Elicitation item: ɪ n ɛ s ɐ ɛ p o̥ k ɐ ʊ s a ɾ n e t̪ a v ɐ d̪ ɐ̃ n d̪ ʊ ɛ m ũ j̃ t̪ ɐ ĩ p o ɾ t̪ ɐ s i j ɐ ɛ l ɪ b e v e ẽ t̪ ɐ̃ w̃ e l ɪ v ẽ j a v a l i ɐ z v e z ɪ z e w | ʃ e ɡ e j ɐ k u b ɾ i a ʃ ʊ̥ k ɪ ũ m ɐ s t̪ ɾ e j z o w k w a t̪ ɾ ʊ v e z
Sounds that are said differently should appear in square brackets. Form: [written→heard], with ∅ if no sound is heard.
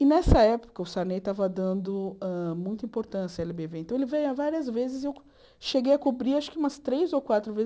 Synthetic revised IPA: ɪ n ɛ s ɐ ɛ p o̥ k ɐ ʊ s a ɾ n e t̪ a v ɐ d̪ ɐ̃ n d̪ ʊ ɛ m ũ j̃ t̪ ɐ ĩ p o ɾ t̪ [ɐ→ɐ̃] s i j ɐ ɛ l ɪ b e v e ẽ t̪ ɐ̃ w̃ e l ɪ v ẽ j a v a [l→ɾ] i ɐ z v e z ɪ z e w | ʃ e ɡ e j ɐ k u b ɾ i a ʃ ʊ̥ k ɪ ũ m ɐ s t̪ ɾ e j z o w k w a t̪ ɾ ʊ v e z